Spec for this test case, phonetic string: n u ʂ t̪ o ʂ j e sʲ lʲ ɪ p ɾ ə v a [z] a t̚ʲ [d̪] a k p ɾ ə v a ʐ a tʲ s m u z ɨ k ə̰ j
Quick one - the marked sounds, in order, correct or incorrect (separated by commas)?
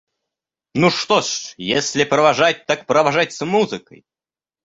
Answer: incorrect, incorrect